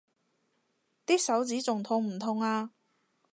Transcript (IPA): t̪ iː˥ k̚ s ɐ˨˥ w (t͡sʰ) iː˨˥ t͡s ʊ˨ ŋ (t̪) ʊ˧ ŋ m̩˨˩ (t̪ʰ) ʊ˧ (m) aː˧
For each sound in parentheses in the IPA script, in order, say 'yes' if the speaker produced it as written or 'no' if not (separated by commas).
no, no, yes, no